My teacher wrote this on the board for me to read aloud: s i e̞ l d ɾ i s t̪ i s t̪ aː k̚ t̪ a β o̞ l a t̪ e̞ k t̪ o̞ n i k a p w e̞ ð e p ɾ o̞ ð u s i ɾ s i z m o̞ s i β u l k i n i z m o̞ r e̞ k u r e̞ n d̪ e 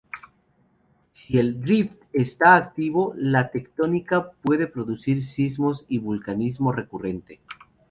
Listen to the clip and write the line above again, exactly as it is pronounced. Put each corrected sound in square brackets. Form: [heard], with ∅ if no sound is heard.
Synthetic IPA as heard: s i e̞ l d ɾ i [f] t̪ [e] s t̪ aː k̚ t̪ [i] β o̞ l a t̪ e̞ k t̪ o̞ n i k a p w e̞ ð e p ɾ o̞ ð u s i ɾ s i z m o̞ s i β u l k [a] n i z m o̞ r e̞ k u r e̞ n [t̪] e